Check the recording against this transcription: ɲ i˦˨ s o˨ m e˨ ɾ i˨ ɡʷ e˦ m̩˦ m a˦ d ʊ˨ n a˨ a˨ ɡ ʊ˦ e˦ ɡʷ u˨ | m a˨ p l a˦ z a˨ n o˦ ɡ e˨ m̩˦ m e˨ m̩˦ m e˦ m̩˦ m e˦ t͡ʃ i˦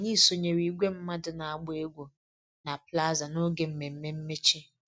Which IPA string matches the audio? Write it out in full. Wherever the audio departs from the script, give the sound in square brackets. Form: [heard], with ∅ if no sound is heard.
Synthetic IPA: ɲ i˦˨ s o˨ [ɲ] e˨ ɾ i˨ ɡʷ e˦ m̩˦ m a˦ d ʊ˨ n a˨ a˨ [ɡ͡b] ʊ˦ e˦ ɡʷ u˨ | [n] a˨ p l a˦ z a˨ n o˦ ɡ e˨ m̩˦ m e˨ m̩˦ m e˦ m̩˦ m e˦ t͡ʃ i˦